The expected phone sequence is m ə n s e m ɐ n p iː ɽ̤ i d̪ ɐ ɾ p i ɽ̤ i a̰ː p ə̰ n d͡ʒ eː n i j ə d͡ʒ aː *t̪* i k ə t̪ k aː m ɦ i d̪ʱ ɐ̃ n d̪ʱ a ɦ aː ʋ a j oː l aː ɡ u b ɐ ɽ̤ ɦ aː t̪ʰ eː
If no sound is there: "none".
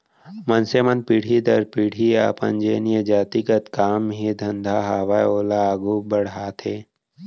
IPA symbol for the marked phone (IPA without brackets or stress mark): t̪